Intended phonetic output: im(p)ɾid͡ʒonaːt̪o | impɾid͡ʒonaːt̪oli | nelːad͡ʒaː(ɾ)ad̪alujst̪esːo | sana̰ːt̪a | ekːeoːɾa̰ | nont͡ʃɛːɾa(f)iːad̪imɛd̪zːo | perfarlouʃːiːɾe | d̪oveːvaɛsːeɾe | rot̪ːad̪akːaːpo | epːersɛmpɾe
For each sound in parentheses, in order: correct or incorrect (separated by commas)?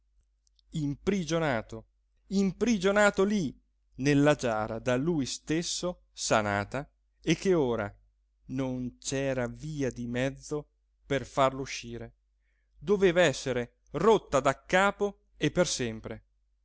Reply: correct, correct, incorrect